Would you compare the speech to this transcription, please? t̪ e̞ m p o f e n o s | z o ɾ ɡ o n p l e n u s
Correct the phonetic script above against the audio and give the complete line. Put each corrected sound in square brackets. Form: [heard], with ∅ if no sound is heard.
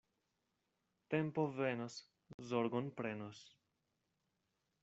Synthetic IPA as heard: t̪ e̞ m p o [v] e n o s | z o ɾ ɡ o n p [ɾ] e n [o] s